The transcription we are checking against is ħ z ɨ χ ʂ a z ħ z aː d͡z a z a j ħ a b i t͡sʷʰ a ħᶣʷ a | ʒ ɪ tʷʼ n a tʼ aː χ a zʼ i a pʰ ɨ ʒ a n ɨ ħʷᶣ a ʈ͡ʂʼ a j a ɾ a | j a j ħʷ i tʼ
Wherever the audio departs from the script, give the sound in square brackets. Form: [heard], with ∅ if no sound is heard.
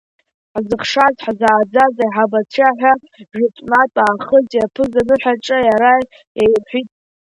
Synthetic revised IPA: ħ z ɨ χ ʂ a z ħ z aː d͡z a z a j ħ a b [a] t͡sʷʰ a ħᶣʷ a | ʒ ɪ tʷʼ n a tʼ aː χ [ə] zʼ [j] a pʰ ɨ [z] a n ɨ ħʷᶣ a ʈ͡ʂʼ a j a ɾ a | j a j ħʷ i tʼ